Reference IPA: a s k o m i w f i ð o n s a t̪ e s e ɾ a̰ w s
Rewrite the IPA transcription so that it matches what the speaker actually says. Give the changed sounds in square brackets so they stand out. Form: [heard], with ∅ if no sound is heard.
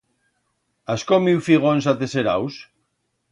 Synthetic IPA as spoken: a s k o m i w f i [ɣ] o n s a t̪ e s e ɾ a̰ w s